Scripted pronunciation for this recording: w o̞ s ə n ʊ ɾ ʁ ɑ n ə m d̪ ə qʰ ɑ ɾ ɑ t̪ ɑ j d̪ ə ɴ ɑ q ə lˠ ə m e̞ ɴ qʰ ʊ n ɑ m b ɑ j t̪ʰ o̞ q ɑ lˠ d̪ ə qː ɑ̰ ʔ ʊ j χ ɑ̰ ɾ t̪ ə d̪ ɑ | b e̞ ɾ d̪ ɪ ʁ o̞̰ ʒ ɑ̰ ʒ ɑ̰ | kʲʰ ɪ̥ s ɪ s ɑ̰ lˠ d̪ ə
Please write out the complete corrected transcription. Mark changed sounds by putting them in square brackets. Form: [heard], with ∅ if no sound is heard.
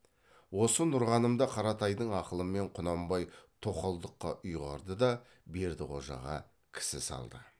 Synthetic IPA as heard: w o̞ s ə n ʊ ɾ ʁ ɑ n ə m d̪ [ɑ] qʰ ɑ ɾ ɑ t̪ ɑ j d̪ ə ɴ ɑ q ə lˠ ə m e̞ ɴ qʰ ʊ n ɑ m b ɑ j t̪ʰ o̞ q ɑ lˠ d̪ ə qː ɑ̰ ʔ ʊ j [ʁ] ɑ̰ ɾ [d̪] ə d̪ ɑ | b e̞ ɾ d̪ ɪ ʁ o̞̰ ʒ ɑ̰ [ʁ] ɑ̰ | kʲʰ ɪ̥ s ɪ s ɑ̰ lˠ d̪ ə